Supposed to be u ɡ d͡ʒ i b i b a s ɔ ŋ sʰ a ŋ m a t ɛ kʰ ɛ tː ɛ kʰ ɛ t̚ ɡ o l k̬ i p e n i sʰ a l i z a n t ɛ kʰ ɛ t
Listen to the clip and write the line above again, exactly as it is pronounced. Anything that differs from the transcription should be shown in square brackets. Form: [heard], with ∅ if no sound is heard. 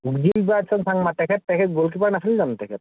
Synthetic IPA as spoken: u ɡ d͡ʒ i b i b a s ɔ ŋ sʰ a ŋ m a t ɛ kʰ ɛ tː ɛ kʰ ɛ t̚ ɡ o l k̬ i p [a] n [a] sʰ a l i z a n t ɛ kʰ ɛ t